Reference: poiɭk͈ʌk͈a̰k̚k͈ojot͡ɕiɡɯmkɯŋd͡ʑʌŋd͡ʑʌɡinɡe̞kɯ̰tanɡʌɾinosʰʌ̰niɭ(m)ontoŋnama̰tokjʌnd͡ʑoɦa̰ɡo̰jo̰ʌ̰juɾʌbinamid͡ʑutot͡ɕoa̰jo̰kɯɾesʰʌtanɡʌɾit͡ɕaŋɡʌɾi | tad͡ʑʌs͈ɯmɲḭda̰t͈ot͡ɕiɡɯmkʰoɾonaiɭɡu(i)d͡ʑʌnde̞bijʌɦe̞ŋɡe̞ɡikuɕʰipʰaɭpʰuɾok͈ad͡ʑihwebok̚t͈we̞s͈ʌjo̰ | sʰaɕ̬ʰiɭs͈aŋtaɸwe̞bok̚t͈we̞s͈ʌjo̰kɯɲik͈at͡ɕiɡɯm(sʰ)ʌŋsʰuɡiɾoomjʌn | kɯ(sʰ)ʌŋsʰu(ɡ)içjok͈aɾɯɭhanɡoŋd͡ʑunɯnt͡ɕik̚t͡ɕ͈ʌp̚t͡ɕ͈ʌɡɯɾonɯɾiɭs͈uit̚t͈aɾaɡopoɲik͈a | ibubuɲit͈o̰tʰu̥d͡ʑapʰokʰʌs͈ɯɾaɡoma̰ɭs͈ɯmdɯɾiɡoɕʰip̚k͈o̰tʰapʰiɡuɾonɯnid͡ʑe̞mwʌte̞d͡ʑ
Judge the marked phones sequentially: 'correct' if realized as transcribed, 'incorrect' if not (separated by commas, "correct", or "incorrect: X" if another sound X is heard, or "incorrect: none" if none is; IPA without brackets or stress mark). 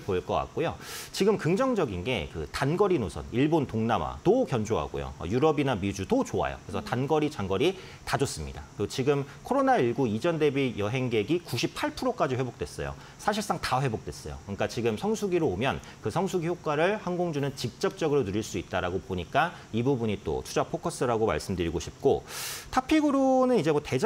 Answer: incorrect: b, correct, correct, correct, correct